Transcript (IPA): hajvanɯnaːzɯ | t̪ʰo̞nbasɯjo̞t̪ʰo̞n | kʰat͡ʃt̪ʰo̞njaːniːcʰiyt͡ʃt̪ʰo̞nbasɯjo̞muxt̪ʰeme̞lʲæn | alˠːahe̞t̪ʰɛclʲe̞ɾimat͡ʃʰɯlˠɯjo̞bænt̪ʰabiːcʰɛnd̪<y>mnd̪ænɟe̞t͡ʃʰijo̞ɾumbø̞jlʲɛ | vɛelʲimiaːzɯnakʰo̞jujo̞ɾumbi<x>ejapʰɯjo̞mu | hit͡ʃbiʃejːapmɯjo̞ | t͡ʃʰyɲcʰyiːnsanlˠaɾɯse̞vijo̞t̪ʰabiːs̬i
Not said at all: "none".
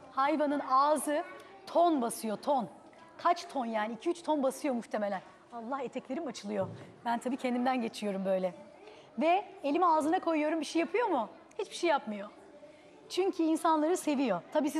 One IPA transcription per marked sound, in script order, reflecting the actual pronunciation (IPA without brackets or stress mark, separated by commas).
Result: i, ʃ